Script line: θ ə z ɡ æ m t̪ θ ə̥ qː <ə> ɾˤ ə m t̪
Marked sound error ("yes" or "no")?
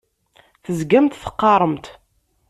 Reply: yes